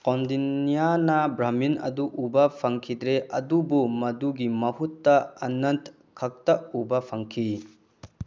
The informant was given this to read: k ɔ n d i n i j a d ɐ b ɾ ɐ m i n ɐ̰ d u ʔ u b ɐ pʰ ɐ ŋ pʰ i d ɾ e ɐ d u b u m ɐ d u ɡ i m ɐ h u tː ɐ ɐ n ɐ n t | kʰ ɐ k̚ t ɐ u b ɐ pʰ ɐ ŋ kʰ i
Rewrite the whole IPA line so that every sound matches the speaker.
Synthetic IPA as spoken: k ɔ n d i n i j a n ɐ b ɾ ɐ m i n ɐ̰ d u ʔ u b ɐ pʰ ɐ ŋ kʰ i d ɾ e ɐ d u b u m ɐ d u ɡ i m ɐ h u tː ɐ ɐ n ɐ n t | kʰ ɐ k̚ t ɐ u b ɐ pʰ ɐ ŋ kʰ i